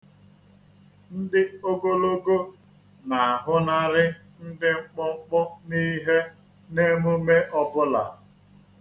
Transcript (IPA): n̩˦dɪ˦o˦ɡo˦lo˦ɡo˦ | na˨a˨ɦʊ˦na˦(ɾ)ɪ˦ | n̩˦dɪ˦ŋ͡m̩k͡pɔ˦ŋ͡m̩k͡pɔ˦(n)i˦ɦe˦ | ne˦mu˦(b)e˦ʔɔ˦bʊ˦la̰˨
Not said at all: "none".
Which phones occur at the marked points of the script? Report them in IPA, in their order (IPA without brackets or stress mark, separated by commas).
ɾ, n, m